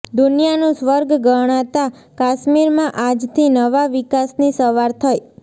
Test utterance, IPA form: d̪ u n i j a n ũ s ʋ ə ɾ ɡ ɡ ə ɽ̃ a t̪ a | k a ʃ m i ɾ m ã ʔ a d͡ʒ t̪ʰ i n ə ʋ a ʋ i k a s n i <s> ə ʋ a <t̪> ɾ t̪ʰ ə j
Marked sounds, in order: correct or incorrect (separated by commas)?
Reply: correct, incorrect